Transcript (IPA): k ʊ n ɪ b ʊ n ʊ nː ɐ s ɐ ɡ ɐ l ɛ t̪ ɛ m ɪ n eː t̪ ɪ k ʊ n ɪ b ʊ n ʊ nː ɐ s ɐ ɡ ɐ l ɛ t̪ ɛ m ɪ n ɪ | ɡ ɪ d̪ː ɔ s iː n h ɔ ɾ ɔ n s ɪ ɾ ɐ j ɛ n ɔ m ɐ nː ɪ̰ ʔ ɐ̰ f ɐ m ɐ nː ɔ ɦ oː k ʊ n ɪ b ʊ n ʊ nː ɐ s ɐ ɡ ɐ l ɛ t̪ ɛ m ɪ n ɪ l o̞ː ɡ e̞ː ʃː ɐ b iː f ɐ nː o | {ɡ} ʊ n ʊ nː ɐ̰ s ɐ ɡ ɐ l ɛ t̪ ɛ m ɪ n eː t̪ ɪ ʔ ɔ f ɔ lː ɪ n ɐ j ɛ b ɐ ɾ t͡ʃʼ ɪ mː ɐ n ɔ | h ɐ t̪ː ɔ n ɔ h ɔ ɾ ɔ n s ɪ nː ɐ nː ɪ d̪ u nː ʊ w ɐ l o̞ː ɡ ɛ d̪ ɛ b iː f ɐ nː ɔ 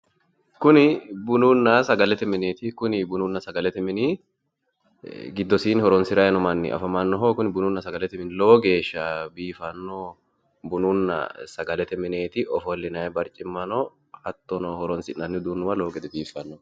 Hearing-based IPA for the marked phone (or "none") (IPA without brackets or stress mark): b